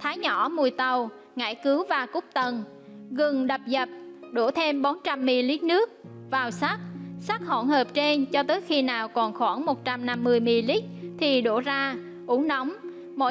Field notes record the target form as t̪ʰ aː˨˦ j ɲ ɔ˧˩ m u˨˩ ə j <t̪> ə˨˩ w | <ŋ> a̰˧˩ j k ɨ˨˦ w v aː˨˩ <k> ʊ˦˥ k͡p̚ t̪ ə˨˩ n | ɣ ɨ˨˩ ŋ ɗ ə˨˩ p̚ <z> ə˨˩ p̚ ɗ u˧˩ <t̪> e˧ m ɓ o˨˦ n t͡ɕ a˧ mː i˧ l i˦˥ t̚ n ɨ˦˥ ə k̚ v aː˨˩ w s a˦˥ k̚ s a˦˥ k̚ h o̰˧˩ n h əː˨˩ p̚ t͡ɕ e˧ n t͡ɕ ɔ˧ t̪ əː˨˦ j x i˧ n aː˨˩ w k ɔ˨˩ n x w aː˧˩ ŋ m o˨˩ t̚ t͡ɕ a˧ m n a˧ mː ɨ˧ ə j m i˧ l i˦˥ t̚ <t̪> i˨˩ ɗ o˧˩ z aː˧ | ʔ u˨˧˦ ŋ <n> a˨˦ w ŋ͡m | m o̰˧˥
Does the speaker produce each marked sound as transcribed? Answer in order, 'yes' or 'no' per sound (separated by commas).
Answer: yes, yes, yes, yes, no, no, yes